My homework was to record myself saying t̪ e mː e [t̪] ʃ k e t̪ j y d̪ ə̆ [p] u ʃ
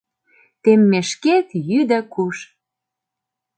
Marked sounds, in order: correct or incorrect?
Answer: incorrect: none, incorrect: k

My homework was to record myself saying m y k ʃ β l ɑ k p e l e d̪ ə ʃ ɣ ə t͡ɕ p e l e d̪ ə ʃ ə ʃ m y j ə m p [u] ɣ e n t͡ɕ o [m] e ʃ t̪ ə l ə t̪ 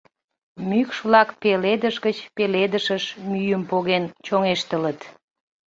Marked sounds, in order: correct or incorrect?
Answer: incorrect: o, incorrect: ŋ

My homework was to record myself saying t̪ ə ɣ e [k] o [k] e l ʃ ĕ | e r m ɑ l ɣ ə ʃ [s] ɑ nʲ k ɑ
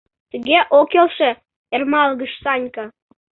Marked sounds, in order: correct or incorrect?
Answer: incorrect: ʔ, correct, correct

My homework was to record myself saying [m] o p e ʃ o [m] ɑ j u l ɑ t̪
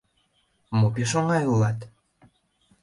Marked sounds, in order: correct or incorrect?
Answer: correct, incorrect: ŋ

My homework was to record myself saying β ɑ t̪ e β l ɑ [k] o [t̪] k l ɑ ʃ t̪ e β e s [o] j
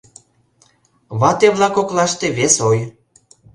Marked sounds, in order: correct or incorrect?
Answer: correct, incorrect: none, correct

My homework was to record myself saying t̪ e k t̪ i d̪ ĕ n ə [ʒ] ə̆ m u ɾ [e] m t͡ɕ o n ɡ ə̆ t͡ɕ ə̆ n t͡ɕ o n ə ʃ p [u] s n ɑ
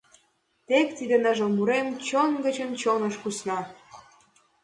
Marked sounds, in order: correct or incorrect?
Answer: correct, correct, correct

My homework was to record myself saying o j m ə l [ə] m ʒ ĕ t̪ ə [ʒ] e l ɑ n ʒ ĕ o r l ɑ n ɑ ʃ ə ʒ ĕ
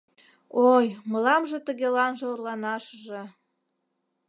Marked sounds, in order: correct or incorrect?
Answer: incorrect: ɑ, incorrect: ɣ

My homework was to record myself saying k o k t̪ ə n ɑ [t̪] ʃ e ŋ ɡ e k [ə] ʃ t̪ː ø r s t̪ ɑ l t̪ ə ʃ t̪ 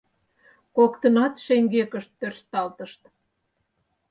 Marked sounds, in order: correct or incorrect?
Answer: correct, correct

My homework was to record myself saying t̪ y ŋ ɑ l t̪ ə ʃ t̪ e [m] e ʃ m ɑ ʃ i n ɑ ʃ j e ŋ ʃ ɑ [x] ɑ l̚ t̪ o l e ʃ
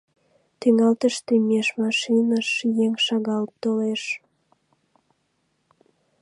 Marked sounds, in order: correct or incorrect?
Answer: correct, incorrect: ɣ

